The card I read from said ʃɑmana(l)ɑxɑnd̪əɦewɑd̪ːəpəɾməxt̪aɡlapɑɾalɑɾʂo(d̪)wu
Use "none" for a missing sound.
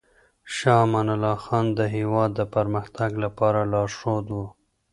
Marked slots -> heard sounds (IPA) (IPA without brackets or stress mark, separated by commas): l, d̪